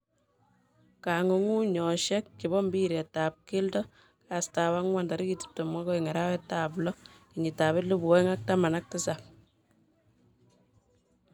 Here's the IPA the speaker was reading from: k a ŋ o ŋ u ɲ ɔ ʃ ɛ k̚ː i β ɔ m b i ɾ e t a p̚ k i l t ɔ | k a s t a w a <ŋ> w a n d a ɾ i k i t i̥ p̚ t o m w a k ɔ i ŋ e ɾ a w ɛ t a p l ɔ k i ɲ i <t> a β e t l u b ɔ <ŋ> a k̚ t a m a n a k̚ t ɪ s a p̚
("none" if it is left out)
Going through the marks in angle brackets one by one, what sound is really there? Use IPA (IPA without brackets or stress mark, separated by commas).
ŋ, t, ŋ